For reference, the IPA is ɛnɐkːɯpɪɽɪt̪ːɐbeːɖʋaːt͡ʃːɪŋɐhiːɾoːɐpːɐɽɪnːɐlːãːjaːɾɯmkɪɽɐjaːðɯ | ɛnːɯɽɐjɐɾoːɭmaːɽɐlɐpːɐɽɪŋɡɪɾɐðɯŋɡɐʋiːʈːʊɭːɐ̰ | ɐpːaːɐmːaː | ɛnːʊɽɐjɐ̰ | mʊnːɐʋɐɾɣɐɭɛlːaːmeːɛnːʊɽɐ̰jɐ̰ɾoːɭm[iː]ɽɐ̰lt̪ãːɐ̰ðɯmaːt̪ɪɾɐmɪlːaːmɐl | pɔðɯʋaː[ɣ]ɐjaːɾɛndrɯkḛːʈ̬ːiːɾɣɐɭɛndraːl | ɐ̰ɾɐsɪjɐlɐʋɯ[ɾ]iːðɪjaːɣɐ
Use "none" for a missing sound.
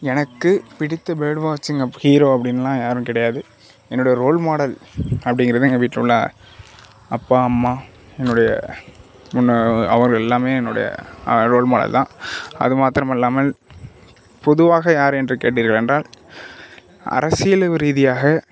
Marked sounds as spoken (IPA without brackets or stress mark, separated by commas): aː, ɣ, ɾ